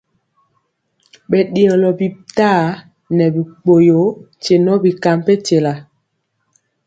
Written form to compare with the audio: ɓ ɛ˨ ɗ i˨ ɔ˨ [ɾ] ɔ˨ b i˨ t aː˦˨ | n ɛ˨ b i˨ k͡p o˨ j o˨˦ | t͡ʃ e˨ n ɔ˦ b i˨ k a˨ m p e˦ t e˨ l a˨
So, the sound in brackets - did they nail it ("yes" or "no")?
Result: no